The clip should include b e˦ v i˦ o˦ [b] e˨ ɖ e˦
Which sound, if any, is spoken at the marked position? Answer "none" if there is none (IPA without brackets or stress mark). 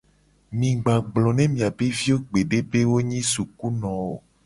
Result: ɡ͡b